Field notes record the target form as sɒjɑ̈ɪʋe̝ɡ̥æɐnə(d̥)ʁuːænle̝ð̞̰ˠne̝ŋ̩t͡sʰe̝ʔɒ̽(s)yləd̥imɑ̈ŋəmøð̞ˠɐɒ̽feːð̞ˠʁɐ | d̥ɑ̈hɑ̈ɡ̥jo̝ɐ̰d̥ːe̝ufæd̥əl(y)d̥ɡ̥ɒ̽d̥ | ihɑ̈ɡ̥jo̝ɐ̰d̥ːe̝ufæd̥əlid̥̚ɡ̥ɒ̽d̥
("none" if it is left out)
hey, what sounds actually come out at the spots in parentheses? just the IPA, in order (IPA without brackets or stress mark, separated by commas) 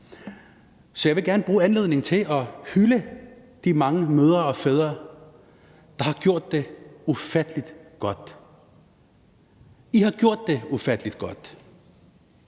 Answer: b̥, h, i